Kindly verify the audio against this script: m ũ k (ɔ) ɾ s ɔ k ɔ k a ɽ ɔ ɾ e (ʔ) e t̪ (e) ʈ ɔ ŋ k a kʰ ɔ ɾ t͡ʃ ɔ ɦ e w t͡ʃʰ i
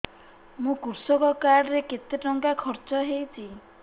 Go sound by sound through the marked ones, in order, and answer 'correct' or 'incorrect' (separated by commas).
incorrect, incorrect, correct